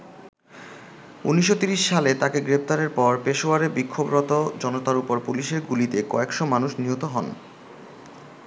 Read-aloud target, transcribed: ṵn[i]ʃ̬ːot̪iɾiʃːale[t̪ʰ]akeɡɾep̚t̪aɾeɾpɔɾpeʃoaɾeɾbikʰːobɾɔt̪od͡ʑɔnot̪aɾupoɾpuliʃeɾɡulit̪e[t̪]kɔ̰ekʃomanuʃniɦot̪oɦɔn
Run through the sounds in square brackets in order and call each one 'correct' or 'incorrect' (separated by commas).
correct, incorrect, incorrect